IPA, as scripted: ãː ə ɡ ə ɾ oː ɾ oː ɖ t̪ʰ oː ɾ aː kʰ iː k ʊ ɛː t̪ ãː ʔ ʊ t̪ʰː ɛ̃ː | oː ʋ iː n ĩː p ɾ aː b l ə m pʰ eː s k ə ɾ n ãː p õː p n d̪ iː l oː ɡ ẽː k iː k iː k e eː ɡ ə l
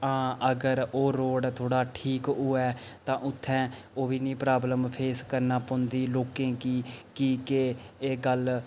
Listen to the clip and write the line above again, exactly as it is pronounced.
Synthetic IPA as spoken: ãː ə ɡ ə ɾ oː ɾ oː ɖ t̪ʰ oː ɽ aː ʈʰ iː k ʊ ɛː t̪ ãː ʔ ʊ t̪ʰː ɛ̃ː | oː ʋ iː n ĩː p ɾ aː b l ə m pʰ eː s k ə ɾ n aː p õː n d̪ iː l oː k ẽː k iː k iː k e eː ɡ ə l